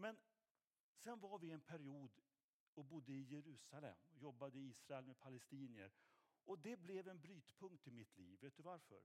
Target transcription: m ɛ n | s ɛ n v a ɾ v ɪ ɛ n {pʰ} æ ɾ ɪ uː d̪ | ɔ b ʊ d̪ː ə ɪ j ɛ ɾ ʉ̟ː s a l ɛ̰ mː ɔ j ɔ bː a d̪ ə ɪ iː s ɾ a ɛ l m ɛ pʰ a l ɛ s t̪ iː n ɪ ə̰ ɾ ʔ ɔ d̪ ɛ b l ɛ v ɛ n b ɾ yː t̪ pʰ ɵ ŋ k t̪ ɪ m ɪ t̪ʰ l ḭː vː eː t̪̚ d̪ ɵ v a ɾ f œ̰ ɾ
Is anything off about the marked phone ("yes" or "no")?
no